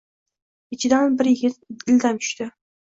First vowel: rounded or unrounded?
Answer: unrounded